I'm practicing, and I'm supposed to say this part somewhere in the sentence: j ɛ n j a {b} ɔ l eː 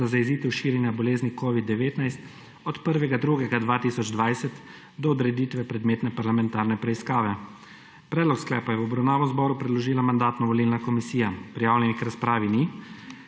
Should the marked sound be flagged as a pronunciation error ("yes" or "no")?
no